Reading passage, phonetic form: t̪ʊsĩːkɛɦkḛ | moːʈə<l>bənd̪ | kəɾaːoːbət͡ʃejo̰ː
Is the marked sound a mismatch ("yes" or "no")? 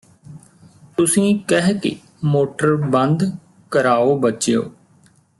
yes